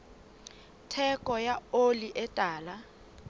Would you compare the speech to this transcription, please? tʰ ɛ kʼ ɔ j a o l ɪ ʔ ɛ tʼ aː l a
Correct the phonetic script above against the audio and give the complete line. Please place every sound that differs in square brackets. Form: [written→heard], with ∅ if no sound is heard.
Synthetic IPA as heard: tʰ ɛ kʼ ɔ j a o l [ɪ→i] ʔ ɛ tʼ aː l a